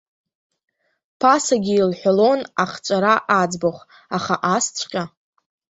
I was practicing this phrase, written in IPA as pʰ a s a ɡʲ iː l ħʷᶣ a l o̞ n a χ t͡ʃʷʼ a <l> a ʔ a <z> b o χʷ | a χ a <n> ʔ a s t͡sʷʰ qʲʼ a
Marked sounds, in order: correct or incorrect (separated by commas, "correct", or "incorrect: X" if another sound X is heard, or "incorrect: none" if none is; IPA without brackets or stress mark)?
incorrect: ɾ, incorrect: d͡z, incorrect: none